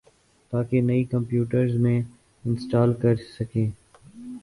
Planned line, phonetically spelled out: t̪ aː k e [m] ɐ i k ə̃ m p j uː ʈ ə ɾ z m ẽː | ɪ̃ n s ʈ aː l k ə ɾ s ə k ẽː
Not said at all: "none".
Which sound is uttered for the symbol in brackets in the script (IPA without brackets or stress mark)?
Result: n